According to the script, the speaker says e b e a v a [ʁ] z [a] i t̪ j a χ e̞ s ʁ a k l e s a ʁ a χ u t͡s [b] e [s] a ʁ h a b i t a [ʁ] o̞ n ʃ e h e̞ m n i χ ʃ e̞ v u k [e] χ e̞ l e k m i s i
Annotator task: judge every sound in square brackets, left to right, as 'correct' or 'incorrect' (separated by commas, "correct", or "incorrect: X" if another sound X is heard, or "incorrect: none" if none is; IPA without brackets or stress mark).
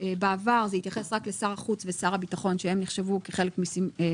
correct, incorrect: e, incorrect: v, correct, incorrect: χ, correct